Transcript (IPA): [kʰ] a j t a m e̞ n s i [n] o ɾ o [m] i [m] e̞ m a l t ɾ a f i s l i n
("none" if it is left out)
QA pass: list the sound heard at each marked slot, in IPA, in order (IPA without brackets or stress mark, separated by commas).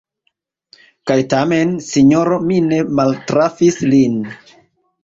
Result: k, ɲ, m, n